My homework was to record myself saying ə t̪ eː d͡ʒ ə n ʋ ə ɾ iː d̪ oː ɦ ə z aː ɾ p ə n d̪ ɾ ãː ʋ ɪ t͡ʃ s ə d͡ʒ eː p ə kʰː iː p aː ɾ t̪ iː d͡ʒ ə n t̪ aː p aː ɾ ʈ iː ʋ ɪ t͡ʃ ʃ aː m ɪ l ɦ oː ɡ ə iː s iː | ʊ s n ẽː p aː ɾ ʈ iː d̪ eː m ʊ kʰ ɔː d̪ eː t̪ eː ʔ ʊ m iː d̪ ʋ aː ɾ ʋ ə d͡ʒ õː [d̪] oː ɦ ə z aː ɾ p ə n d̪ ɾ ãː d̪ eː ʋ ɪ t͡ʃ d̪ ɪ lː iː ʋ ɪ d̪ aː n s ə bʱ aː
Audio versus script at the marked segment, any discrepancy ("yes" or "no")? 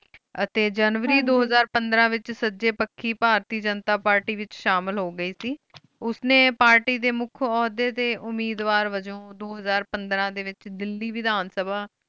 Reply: no